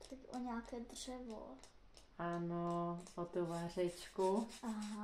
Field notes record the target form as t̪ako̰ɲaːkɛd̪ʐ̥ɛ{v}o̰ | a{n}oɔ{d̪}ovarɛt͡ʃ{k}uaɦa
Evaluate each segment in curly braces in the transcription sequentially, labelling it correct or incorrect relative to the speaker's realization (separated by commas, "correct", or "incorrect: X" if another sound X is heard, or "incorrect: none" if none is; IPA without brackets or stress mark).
correct, correct, incorrect: t̪, correct